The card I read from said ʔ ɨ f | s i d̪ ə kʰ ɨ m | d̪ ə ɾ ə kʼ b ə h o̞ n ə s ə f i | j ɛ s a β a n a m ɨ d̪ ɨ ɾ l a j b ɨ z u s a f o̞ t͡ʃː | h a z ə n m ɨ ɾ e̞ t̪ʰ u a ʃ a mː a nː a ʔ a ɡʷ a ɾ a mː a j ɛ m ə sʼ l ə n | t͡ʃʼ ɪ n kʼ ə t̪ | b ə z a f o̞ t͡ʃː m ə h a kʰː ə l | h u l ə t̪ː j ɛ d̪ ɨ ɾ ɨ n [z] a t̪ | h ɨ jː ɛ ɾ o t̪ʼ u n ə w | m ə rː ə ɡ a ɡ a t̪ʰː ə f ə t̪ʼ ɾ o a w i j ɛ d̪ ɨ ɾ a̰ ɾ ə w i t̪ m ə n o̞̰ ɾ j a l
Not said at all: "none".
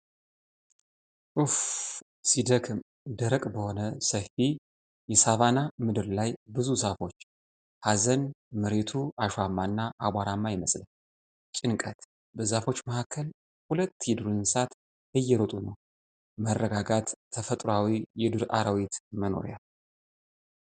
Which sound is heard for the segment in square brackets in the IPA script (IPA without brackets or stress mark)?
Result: s